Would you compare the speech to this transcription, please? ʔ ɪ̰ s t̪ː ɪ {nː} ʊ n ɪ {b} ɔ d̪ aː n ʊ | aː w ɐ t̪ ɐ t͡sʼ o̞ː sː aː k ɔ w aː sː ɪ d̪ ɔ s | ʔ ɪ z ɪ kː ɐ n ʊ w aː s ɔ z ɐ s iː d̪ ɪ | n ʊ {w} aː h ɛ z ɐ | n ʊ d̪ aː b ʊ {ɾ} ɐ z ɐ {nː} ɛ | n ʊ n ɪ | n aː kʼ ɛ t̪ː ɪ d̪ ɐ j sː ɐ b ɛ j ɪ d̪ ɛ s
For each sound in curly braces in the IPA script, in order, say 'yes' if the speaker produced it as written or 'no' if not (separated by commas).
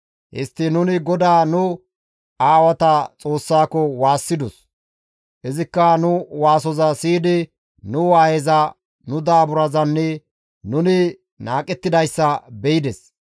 no, no, yes, yes, yes